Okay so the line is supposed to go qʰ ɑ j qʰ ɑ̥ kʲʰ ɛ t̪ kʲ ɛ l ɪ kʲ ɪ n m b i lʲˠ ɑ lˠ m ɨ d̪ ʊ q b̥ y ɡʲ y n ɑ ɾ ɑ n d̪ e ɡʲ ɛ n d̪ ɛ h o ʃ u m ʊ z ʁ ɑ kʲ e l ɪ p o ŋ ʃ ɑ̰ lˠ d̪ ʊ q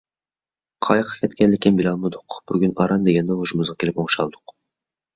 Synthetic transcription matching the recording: qʰ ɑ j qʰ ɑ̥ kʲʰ ɛ t̪ kʲ ɛ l ɪ kʲ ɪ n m b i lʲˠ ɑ lˠ m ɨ d̪ ʊ q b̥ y ɡʲ y n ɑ ɾ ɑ n d̪ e ɡʲ ɛ n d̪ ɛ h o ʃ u m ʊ z ʁ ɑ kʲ e l ɪ p o ŋ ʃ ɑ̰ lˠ d̪ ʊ q